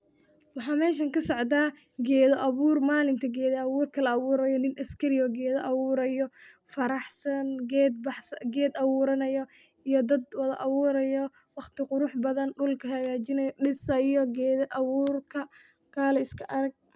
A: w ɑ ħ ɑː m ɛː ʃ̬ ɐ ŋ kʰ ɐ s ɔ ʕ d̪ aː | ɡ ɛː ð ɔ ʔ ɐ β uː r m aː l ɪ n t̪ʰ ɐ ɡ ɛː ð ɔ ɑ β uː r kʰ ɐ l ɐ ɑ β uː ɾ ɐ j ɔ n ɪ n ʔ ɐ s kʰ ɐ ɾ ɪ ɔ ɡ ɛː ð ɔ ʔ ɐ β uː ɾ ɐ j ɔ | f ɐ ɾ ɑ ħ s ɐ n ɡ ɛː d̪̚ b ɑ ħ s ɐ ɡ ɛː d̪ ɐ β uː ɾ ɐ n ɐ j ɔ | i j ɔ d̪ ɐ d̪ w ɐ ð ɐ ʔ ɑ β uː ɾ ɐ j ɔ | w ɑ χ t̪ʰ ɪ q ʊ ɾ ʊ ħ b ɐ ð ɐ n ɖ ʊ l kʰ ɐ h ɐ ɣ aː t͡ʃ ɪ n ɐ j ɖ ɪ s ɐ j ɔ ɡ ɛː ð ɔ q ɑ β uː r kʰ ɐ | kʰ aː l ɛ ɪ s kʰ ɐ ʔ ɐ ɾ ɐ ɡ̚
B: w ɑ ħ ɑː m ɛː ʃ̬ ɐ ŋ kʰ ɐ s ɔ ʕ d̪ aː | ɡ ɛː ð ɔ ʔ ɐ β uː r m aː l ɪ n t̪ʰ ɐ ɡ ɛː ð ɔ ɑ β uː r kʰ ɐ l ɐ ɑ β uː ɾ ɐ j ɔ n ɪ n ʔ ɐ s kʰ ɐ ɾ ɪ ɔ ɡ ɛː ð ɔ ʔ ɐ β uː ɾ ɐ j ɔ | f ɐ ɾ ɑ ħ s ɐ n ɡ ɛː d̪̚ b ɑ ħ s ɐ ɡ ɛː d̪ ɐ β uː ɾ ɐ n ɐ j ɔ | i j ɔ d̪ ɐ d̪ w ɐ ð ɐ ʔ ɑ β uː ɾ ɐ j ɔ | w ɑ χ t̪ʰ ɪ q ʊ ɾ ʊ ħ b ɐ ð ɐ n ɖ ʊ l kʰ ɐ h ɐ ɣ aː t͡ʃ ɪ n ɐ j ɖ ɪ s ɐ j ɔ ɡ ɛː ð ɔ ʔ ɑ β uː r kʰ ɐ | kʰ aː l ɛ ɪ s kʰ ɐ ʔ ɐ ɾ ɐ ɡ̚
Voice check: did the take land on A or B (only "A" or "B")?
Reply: B